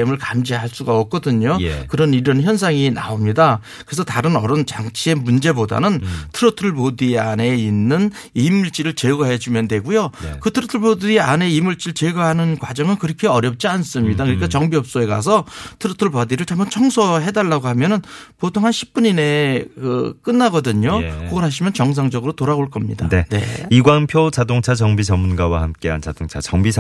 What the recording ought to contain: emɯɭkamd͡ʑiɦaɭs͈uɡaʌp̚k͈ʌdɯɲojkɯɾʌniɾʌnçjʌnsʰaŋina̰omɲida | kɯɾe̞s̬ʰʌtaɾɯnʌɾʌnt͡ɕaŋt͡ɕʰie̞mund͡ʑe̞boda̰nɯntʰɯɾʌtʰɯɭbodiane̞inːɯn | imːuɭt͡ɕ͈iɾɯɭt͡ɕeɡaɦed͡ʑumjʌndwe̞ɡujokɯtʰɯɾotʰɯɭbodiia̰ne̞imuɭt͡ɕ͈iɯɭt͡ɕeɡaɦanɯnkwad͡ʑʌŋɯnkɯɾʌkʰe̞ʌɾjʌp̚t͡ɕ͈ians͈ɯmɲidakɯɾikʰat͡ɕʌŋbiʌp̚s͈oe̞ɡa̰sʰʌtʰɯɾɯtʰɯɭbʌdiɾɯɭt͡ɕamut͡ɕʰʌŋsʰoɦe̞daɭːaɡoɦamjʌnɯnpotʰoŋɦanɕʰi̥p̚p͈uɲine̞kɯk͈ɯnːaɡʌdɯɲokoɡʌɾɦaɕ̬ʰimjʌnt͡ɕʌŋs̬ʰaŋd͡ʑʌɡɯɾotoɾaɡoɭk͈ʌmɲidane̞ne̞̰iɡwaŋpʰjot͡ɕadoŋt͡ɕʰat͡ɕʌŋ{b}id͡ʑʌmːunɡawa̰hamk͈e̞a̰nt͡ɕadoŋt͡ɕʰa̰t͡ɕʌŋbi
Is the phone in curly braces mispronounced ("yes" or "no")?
no